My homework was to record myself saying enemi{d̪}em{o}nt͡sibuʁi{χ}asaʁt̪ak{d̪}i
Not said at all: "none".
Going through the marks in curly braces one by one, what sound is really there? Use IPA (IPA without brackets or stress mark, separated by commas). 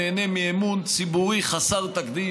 none, u, χ, d̪